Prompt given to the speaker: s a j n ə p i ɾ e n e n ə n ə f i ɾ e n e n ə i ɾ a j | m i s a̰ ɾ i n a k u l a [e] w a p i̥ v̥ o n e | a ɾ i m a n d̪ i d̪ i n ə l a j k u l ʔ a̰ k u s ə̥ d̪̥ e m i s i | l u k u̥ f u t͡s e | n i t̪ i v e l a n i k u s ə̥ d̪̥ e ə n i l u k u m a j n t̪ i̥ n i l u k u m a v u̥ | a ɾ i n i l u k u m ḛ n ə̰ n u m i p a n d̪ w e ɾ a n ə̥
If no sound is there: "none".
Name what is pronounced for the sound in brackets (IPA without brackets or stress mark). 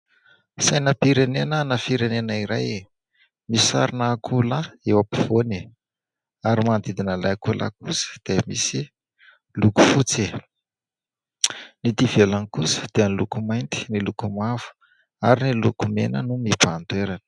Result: e